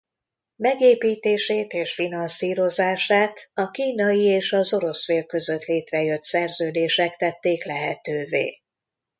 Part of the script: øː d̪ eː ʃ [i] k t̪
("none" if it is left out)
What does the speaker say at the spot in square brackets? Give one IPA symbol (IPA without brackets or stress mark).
ɛ